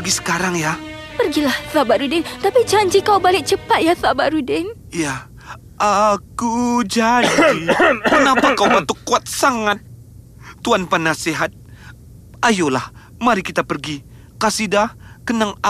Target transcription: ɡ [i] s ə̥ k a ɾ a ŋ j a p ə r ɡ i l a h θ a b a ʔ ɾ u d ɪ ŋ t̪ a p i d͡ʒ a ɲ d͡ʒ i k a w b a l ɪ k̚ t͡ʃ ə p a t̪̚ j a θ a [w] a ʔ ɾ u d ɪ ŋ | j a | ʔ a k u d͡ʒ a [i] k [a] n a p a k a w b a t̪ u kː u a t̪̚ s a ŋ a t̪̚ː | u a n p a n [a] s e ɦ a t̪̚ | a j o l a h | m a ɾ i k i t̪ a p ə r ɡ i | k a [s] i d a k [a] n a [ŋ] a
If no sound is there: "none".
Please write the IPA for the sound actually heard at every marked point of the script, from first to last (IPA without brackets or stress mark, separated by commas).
i, b, i, ə, a, s, ə, ŋ